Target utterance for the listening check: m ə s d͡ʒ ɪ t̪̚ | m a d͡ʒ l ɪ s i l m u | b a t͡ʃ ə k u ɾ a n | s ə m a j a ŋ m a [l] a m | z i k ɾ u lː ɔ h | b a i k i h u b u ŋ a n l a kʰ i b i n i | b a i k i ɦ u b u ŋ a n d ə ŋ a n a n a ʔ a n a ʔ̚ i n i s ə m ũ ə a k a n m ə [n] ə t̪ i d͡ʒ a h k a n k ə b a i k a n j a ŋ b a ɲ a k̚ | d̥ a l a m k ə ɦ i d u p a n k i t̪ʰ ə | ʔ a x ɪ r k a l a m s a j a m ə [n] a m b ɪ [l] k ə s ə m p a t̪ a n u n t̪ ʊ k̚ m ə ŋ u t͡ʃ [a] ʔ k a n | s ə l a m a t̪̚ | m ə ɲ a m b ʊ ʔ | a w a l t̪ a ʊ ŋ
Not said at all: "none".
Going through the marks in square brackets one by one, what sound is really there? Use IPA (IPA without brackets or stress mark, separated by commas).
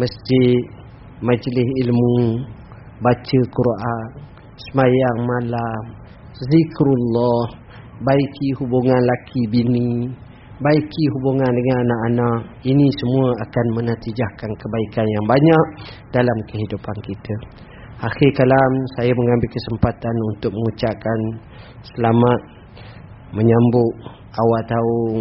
l, n, ŋ, l, a